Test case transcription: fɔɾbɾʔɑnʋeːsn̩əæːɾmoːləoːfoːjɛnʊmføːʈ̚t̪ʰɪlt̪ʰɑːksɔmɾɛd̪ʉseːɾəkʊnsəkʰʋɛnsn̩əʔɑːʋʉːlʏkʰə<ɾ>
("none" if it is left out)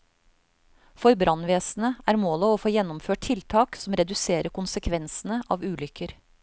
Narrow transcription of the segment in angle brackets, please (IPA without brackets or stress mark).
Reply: ɾ